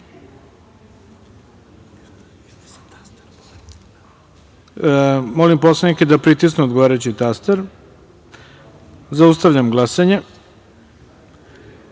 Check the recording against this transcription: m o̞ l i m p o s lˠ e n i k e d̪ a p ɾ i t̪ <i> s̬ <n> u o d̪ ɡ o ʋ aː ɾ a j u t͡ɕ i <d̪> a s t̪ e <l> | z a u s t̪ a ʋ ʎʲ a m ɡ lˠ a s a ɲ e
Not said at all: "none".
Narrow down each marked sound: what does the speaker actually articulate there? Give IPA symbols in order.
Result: i, n, t̪, ɾ

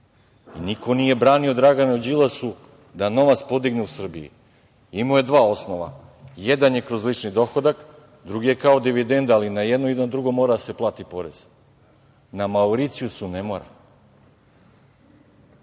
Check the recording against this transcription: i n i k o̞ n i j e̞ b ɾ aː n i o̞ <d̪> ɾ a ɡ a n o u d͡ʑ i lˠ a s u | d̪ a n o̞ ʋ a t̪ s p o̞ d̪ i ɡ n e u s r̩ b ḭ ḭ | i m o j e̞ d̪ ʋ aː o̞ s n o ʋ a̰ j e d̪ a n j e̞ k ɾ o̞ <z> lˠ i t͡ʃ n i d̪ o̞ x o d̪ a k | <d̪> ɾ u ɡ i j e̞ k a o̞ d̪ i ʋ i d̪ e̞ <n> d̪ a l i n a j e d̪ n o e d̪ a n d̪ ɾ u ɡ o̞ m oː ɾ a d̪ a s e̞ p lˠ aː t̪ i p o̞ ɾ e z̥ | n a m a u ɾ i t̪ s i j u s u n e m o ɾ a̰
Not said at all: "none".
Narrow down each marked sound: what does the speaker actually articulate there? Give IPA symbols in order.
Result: d̪, z, d̪, n

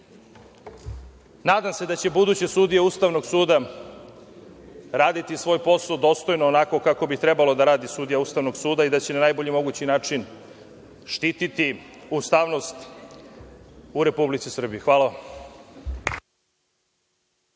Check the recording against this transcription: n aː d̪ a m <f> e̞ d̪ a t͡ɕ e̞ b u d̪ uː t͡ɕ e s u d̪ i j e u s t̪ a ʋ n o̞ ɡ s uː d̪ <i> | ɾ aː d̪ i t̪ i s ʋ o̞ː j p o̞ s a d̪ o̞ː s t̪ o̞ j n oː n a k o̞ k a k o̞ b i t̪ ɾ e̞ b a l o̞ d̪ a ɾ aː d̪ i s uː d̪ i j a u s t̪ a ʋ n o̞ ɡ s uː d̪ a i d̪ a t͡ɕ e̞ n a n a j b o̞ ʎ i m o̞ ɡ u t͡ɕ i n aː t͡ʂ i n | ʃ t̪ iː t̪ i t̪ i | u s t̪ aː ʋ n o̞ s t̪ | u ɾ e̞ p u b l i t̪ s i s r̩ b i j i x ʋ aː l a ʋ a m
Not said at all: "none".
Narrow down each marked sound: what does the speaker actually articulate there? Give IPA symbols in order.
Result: s, a

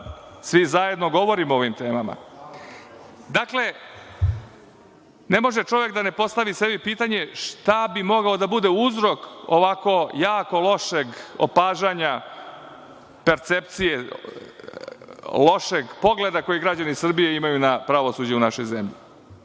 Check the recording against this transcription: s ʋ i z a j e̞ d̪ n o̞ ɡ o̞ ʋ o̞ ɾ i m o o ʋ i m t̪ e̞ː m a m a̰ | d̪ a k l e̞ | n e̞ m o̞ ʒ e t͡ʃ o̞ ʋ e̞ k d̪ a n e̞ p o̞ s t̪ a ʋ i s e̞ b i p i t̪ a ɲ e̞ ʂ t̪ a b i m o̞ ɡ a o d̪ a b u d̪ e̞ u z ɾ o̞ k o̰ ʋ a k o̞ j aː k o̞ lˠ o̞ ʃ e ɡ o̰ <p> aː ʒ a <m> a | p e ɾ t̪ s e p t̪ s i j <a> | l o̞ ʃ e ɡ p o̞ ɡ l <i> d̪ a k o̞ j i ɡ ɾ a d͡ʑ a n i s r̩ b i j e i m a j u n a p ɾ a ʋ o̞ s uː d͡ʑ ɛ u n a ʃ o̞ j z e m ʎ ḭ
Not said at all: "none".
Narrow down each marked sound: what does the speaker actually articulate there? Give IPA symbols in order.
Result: p, ɲ, e, e

